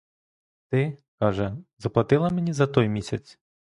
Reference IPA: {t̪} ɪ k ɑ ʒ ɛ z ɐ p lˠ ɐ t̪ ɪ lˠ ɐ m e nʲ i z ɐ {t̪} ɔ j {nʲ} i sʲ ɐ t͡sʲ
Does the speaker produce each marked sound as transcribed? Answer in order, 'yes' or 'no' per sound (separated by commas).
yes, yes, no